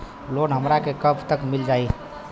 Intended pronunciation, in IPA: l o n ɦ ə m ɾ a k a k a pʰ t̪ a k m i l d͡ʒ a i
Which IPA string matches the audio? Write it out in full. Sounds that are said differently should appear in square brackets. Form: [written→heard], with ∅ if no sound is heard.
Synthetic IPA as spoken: l o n ɦ ə m ɾ a k [a→e] k [a→ə] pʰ t̪ [a→ə] k m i l d͡ʒ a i